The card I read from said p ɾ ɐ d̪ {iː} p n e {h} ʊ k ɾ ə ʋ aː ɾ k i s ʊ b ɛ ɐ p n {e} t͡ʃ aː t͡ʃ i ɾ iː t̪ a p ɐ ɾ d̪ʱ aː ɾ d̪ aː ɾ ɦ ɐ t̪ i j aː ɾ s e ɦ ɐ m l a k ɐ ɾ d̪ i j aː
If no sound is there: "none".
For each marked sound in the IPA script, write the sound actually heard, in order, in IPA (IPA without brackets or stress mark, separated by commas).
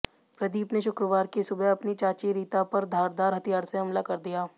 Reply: iː, ʃ, i